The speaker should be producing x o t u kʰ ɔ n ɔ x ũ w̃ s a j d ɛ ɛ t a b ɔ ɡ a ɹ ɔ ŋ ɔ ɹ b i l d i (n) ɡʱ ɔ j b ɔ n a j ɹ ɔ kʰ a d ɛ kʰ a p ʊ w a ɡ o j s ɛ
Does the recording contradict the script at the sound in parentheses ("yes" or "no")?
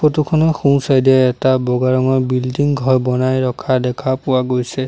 yes